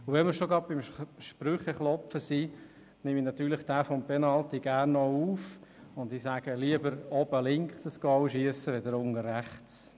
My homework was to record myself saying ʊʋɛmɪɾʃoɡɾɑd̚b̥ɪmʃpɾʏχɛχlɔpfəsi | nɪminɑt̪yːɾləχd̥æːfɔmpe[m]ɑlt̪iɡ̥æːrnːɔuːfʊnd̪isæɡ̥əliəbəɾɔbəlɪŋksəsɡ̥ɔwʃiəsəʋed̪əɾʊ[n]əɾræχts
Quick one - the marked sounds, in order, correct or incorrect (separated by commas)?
incorrect, incorrect